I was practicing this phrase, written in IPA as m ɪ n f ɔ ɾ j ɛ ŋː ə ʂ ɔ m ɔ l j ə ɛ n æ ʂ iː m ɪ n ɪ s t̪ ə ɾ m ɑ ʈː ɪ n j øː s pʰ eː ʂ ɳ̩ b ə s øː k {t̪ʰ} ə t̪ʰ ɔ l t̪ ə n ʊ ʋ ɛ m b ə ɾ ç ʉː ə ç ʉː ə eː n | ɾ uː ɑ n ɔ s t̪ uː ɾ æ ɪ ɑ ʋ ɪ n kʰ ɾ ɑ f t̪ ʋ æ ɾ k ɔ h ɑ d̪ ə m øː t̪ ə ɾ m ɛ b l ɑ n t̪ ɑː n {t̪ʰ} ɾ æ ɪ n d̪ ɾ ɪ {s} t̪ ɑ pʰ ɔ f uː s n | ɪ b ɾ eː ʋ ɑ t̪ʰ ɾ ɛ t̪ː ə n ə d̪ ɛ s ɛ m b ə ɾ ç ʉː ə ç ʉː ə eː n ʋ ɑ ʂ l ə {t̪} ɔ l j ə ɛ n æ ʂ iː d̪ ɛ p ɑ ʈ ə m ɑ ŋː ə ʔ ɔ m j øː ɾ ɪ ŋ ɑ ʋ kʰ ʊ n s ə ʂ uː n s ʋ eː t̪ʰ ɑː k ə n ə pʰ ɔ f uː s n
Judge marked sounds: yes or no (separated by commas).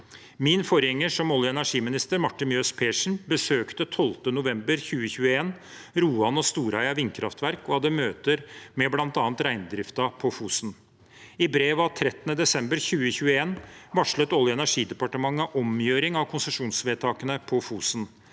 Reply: no, no, no, yes